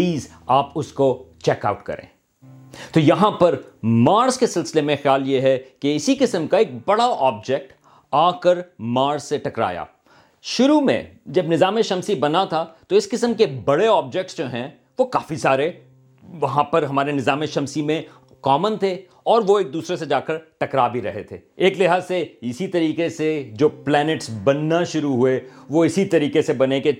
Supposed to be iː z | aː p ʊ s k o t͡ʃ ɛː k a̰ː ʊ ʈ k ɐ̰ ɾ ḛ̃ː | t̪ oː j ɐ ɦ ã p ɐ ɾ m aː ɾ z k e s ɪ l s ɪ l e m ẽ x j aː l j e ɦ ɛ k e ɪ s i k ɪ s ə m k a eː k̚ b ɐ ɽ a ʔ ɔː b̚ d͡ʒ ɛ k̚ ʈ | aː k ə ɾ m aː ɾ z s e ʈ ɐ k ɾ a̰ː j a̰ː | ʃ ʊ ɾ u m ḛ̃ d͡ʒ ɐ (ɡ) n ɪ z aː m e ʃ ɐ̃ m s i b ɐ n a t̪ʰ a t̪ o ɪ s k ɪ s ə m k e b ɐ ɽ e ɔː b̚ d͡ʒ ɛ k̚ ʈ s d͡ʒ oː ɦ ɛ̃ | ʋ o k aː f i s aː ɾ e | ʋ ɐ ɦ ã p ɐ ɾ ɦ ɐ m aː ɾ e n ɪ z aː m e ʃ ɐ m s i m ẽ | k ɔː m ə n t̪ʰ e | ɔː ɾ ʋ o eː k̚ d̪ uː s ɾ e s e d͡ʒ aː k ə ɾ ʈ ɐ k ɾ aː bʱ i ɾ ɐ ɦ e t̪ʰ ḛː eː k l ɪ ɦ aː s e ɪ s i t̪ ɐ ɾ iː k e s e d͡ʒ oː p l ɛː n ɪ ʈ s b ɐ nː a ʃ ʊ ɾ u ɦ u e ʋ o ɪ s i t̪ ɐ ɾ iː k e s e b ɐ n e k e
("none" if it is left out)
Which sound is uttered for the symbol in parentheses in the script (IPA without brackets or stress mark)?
b